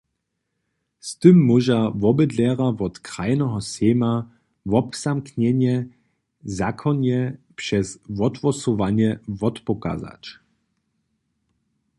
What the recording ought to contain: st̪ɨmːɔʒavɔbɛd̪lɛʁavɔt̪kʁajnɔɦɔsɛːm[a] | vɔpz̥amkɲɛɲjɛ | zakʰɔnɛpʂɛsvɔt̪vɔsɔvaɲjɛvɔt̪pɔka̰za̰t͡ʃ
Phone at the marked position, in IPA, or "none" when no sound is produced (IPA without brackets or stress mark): a